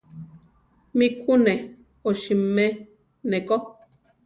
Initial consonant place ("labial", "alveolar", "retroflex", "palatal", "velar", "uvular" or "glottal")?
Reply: labial